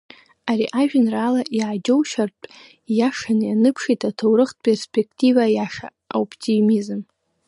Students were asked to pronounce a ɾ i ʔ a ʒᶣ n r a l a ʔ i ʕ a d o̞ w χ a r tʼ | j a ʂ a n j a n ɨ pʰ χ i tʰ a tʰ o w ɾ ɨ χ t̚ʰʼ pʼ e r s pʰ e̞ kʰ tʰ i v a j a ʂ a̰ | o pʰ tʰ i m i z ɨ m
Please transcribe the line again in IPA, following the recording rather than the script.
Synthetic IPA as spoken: a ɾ i ʔ a ʒᶣ n r a l a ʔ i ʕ a d͡ʒ o̞ w ʃ a r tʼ | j a ʂ a n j a n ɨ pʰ ʂ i tʰ a tʰ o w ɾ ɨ χ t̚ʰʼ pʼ e r s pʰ e̞ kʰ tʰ i v a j a ʂ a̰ | o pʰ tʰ i m i z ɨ m

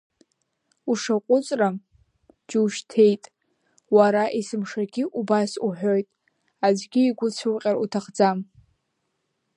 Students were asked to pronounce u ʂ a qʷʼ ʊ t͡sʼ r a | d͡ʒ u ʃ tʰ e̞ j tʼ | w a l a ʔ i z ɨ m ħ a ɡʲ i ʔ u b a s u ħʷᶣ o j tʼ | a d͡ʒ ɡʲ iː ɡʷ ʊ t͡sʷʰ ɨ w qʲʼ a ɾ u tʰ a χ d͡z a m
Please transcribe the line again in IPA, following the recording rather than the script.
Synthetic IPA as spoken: u ʂ a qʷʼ ʊ t͡sʼ r a | d͡ʒ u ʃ tʰ e̞ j tʼ | w a ɾ a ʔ i s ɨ m ʂ a ɡʲ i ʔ u b a s u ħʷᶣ o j tʼ | a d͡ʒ ɡʲ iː ɡʷ ʊ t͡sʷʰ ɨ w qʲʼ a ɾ u tʰ a χ d͡z a m

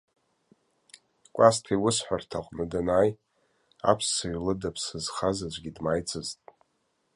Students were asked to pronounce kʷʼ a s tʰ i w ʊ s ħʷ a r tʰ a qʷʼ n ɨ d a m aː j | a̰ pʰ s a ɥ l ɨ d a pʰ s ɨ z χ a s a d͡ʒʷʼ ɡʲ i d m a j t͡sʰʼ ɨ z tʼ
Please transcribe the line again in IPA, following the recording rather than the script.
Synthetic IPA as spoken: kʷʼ a s tʰ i w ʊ s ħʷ a r tʰ a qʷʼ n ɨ d a n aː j | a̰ pʰ s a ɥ l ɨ d a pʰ s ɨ z χ a z a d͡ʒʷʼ ɡʲ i d m a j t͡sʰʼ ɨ z tʼ

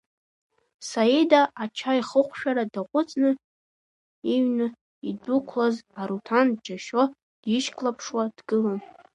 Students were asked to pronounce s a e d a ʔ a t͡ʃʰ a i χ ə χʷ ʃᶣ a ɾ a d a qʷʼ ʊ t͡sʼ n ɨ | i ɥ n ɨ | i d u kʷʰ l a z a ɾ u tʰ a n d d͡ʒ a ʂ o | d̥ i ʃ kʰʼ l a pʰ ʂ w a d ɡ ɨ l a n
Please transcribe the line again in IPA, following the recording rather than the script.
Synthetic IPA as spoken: s a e d a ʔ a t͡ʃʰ a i χ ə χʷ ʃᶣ a ɾ a d a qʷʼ ʊ t͡sʼ n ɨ | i ɥ n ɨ | i d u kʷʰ l a z a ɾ u tʰ a n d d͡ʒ a ʃ o | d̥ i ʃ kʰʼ l a pʰ ʂ w a d ɡ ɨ l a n

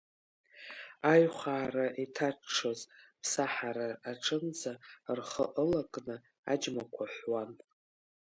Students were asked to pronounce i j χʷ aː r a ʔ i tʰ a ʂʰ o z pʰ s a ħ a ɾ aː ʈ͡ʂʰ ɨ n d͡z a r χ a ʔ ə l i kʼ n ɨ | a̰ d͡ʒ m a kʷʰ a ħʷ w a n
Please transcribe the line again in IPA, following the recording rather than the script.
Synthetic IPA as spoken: a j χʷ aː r a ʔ i tʰ a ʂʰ o z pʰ s a ħ a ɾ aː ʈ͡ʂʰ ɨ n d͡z a r χ ə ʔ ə l a kʼ n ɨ | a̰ d͡ʒ m a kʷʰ a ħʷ w a n

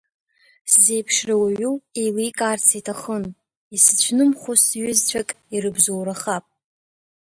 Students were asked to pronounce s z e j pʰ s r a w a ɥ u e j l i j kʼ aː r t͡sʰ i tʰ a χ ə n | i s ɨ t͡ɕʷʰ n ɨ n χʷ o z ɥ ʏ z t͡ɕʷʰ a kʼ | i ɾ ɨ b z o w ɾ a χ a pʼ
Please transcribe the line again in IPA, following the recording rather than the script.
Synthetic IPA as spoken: s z e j pʰ ʂ r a w a ɥ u e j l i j kʼ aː r t͡sʰ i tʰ a χ ə n | i s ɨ t͡ɕʷʰ n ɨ m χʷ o s ɥ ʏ z t͡ɕʷʰ a kʼ | i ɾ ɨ b z o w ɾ a χ a pʼ

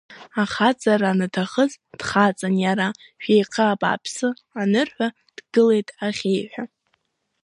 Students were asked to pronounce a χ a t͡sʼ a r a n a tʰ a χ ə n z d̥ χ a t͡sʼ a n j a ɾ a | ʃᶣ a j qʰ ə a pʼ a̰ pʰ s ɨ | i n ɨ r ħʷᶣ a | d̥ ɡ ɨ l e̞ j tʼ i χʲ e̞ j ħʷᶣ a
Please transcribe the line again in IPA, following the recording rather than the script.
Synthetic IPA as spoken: a χ a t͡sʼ a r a n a tʰ a χ ə z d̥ χ a t͡sʼ a n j a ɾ a | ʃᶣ e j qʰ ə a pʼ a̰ pʰ s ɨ | a n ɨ r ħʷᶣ a | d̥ ɡ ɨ l e̞ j tʼ a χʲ e̞ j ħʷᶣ a

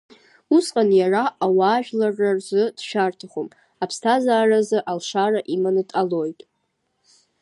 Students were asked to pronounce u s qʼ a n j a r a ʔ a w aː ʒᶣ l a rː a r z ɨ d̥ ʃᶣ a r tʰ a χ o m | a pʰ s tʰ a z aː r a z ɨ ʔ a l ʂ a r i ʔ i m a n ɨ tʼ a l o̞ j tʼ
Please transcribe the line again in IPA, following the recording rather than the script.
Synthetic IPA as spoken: u s qʼ a n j a r a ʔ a w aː ʒᶣ l a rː a r z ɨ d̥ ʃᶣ a r tʰ a χ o m | a pʰ s tʰ a z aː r a z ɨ ʔ a l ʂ a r a ʔ i m a n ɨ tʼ a l o̞ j tʼ

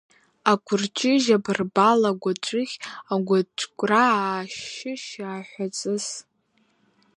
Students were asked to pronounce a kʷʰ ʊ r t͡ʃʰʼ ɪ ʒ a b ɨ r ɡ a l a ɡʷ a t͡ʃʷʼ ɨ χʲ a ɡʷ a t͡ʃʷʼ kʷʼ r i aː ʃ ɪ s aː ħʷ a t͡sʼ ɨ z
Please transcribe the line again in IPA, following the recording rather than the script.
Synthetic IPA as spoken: a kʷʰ ʊ r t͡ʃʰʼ ɪ ʒ a b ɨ r b a l a ɡʷ a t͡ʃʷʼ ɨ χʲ a ɡʷ a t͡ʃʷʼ kʷʼ r a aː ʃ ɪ ʃ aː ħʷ a t͡sʼ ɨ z

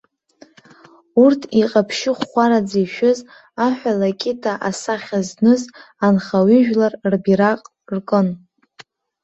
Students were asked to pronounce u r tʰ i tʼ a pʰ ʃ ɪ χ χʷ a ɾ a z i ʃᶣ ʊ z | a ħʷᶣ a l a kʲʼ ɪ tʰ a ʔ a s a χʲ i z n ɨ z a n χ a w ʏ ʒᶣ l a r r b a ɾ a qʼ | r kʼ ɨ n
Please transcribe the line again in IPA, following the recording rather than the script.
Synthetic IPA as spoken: u r tʰ i qʼ a pʰ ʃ ɪ χ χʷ a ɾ a d͡z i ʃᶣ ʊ z | a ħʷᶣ a l a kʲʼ ɪ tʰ a ʔ a s a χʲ a z n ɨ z a n χ a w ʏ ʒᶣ l a r r b i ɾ a qʼ | r kʼ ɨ n

